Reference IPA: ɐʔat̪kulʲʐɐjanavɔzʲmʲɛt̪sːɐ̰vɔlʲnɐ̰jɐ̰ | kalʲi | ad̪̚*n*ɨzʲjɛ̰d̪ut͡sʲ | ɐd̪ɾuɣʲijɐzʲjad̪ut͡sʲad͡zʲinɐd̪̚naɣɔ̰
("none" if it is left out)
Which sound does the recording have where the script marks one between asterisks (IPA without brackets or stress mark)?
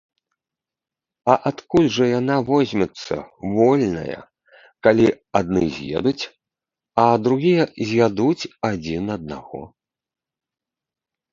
n